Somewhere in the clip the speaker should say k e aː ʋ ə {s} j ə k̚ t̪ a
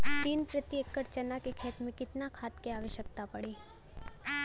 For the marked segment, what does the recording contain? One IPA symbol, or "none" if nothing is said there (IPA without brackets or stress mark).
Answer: ʃ